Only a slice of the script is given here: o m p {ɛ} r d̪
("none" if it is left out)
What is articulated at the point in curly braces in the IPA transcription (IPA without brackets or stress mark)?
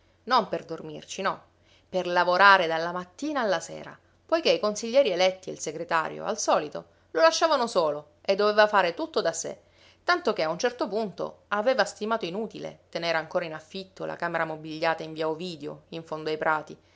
e